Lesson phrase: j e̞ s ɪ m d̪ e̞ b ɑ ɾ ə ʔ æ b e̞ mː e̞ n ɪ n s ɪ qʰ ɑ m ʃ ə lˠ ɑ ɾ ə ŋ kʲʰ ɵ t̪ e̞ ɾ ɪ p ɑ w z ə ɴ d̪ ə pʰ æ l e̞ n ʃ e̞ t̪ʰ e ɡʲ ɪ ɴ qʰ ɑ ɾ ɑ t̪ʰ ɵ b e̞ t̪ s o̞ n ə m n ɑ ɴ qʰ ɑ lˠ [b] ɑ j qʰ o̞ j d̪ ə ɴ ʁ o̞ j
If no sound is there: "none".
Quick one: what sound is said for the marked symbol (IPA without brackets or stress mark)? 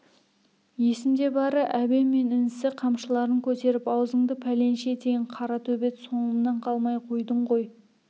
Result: m